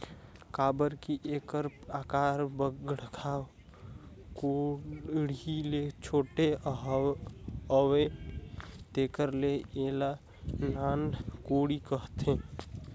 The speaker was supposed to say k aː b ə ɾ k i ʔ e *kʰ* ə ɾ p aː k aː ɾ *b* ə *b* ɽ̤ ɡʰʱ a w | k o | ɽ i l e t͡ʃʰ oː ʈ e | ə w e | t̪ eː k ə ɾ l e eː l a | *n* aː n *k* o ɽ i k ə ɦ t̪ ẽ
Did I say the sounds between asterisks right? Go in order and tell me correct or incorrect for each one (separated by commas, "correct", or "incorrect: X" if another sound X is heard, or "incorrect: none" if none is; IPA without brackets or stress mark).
incorrect: k, correct, incorrect: ɡ, correct, correct